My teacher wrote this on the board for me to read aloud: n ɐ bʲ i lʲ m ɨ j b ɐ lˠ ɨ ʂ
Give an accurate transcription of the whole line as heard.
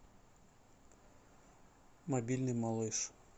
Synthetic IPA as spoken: m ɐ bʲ i lʲ n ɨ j m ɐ lˠ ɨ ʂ